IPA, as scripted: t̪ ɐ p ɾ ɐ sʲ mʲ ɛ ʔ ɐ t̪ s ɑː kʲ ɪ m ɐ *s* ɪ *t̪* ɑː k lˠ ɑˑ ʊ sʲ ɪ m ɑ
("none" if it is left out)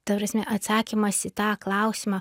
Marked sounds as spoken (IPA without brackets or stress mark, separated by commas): s, t̪